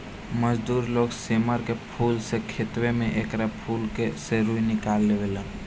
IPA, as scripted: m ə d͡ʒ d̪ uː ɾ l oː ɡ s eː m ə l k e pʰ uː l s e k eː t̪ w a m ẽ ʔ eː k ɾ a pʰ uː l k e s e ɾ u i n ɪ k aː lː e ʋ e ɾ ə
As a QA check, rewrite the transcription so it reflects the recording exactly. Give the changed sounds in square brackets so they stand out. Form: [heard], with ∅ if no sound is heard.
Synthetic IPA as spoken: m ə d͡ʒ d̪ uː ɾ l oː ɡ s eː m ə [ɾ] k e pʰ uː l s e [kʰ] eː t̪ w [e] m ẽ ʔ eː k ɾ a pʰ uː l k e s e ɾ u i n ɪ k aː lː e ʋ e [l] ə

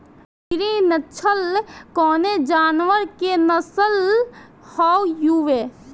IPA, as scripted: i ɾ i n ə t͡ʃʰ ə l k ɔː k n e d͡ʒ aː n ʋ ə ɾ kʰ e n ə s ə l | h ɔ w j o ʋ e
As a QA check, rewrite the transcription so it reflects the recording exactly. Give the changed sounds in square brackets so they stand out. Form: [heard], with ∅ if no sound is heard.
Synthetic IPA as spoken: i ɾ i n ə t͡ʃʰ ə l k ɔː [∅] n e d͡ʒ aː n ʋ ə ɾ [k] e n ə s ə l | h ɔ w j [u] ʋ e

